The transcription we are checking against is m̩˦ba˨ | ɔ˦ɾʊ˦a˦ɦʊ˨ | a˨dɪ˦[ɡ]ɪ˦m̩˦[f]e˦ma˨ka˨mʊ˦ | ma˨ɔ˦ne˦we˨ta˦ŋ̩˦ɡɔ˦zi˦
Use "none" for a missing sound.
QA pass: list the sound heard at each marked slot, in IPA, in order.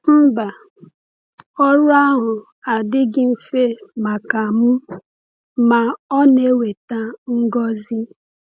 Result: ɡ, f

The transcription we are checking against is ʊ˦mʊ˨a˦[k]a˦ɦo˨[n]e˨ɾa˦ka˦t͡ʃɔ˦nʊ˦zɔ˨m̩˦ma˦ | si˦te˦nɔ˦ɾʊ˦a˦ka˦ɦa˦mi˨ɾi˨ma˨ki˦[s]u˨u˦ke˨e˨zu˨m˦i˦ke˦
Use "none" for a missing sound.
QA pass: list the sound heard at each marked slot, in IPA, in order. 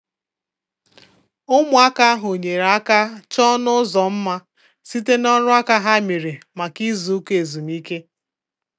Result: k, ɲ, z

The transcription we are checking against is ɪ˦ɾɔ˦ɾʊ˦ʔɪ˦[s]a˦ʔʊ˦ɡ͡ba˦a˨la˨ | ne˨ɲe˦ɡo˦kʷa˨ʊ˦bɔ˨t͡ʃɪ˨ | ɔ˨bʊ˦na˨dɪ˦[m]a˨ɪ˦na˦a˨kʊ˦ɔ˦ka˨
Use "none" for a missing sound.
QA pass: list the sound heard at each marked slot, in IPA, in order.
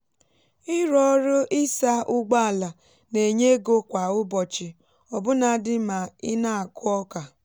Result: s, m

